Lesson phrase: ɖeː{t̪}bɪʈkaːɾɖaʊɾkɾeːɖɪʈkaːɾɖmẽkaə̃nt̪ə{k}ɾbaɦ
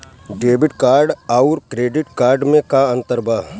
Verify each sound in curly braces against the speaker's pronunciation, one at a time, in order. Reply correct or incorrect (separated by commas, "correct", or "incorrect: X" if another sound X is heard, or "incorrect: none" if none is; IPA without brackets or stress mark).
incorrect: none, incorrect: none